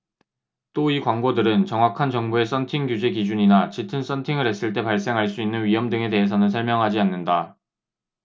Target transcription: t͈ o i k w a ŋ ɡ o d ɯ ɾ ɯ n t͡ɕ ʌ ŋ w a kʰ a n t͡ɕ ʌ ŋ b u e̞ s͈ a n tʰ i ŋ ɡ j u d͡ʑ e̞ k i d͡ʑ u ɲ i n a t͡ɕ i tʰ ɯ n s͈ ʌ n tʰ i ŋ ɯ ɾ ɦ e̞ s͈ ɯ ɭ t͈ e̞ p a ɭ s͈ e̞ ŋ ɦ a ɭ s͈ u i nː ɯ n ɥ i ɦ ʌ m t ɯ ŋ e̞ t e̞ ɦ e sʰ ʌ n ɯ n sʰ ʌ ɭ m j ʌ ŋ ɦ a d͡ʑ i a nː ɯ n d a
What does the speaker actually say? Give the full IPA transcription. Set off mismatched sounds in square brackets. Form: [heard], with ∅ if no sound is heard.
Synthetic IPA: t͈ o i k w a ŋ ɡ o d ɯ ɾ ɯ n t͡ɕ ʌ ŋ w a kʰ a n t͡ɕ ʌ ŋ b u e̞ s͈ [ʌ] n tʰ i ŋ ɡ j u d͡ʑ e̞ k i d͡ʑ u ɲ i n a t͡ɕ i tʰ ɯ n s͈ ʌ n tʰ i ŋ ɯ ɾ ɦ e̞ s͈ ɯ ɭ t͈ e̞ p a ɭ s͈ e̞ ŋ ɦ a ɭ s͈ u i nː ɯ n ɥ i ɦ ʌ m [d] ɯ ŋ e̞ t e̞ ɦ e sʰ ʌ n ɯ n sʰ ʌ ɭ m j ʌ ŋ ɦ a d͡ʑ i a nː ɯ n d a